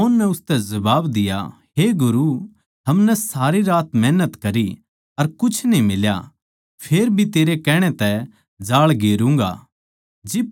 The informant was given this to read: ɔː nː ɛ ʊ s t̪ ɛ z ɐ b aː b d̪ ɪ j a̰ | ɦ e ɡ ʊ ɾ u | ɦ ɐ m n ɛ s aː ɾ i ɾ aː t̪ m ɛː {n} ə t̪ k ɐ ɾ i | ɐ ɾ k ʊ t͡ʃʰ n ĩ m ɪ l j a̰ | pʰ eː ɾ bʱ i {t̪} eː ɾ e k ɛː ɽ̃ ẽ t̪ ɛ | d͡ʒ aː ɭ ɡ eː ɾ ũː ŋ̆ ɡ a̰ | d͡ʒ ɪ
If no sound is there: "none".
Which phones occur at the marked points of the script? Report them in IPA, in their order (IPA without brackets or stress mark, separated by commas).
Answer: n, t̪